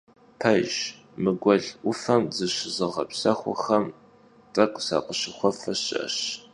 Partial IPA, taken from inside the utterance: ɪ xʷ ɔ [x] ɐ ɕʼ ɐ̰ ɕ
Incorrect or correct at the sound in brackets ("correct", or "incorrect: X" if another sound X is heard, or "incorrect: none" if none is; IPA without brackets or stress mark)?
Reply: incorrect: f